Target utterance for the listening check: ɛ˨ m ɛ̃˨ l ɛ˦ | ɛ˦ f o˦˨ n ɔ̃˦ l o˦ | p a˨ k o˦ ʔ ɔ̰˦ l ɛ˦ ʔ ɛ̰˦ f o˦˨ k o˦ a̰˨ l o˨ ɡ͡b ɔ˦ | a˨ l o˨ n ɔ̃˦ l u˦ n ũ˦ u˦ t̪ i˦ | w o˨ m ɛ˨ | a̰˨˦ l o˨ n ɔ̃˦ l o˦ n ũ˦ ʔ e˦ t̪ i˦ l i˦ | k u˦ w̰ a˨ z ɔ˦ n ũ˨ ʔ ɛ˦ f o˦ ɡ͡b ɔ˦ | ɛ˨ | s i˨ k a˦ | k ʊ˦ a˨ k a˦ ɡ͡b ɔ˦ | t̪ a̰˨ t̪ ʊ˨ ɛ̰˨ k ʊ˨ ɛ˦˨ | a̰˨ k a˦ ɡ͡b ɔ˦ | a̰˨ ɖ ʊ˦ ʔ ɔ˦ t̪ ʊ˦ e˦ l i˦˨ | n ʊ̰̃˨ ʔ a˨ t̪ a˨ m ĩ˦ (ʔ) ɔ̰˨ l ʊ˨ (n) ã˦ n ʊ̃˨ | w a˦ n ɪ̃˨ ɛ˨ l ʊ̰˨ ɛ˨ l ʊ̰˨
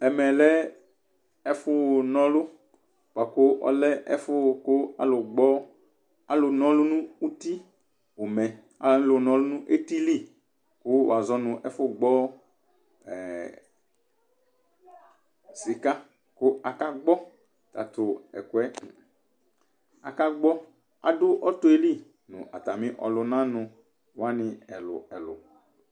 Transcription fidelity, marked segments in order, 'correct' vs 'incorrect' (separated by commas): correct, correct